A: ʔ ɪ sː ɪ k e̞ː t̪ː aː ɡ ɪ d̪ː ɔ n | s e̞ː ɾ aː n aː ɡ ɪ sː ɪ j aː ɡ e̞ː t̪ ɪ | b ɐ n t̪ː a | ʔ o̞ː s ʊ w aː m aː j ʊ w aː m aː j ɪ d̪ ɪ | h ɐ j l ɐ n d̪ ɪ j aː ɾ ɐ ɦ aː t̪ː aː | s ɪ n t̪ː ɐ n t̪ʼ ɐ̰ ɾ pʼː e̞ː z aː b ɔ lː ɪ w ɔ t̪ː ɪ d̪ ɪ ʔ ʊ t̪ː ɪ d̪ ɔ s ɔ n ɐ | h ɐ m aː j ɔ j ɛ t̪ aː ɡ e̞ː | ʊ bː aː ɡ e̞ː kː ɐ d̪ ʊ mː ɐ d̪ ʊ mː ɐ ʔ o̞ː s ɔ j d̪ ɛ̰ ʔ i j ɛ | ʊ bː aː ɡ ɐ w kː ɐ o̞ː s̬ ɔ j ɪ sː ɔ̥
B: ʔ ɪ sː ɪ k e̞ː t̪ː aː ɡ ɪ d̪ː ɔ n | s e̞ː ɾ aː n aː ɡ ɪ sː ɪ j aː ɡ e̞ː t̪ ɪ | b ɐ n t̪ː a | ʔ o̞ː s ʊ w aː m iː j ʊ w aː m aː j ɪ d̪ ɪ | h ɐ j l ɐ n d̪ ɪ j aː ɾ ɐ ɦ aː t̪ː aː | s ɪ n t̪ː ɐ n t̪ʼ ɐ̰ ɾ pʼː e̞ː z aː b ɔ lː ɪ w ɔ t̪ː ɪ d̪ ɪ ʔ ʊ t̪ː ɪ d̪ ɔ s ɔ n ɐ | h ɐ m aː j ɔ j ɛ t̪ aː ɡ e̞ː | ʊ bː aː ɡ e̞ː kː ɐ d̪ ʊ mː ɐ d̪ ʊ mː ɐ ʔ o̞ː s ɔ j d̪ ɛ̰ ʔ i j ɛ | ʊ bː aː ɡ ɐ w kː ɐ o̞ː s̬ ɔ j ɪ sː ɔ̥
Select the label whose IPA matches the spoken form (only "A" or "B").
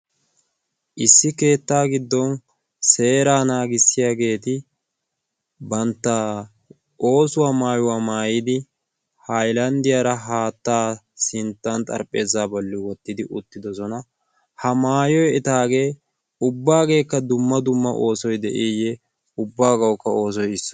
A